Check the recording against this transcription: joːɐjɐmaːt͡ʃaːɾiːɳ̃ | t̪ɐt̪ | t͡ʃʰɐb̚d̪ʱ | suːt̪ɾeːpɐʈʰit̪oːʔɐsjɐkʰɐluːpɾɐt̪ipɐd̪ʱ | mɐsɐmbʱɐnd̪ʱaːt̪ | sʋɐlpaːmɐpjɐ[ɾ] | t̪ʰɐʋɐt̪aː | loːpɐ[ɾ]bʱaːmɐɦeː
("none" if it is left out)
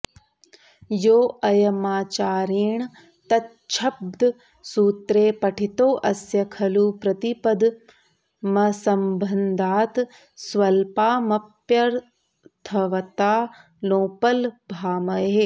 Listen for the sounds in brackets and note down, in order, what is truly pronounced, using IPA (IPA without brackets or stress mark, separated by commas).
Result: ɾ, l